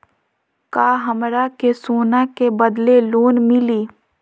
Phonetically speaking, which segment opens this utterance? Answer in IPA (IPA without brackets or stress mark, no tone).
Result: k